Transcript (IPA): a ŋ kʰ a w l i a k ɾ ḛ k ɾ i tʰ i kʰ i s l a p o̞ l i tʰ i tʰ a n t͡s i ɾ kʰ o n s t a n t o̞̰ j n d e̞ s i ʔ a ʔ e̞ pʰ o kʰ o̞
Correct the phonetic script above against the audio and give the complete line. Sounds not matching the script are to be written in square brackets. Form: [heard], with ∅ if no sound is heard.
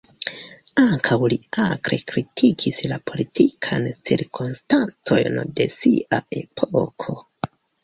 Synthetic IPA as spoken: a ŋ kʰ a w l i a k ɾ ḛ k ɾ i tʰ i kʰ i s l a p o̞ l i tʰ i [kʰ] a n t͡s i ɾ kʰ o n s t a n [t͡s] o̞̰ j n d e̞ s i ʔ a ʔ e̞ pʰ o kʰ o̞